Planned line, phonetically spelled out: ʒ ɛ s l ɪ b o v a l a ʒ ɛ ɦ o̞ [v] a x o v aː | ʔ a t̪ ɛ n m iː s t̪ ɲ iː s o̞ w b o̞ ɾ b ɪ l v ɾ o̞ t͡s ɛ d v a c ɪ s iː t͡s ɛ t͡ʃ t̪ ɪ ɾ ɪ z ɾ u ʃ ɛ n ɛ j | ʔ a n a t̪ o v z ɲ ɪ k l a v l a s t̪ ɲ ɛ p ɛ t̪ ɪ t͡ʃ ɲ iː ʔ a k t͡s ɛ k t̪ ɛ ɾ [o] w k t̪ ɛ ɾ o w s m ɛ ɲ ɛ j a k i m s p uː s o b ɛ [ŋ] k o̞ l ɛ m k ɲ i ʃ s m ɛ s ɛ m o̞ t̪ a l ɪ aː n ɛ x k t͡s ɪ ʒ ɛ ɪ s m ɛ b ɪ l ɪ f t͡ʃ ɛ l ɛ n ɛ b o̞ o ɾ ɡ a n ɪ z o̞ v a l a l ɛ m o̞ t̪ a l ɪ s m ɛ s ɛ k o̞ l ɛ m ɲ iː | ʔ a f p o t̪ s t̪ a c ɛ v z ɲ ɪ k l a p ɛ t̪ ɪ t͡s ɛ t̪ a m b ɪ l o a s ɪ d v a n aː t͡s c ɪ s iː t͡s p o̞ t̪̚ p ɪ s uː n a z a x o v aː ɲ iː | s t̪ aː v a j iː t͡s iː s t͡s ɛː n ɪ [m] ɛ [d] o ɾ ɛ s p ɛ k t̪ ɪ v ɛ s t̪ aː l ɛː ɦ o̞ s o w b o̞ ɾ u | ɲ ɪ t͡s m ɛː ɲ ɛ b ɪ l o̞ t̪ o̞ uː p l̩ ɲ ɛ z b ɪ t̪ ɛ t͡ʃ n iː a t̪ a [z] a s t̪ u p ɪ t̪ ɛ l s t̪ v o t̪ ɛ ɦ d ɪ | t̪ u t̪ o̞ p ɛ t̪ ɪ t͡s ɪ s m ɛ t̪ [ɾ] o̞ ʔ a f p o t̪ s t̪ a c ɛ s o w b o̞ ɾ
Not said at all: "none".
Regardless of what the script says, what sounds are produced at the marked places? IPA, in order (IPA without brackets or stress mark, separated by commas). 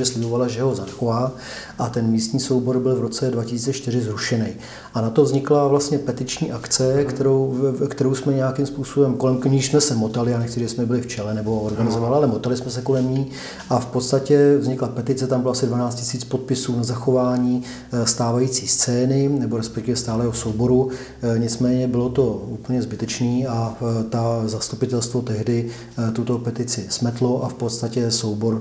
z, o, m, n, b, z, l